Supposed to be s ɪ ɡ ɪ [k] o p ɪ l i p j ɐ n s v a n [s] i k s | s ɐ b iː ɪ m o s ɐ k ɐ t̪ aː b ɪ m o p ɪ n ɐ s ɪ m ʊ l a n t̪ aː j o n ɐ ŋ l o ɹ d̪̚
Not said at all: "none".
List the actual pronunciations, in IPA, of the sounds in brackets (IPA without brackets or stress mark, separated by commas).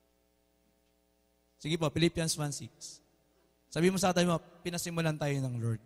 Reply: p, s